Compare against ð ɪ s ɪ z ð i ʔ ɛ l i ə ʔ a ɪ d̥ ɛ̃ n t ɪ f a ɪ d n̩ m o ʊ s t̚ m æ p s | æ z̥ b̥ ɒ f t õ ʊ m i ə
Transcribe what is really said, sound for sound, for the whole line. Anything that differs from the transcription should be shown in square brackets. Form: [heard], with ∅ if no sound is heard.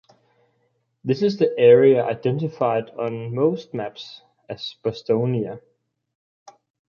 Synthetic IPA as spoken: ð ɪ s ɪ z ð i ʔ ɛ [ɹ] i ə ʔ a ɪ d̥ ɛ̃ n t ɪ f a ɪ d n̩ m o ʊ s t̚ m æ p s | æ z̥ b̥ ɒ [s] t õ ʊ [n] i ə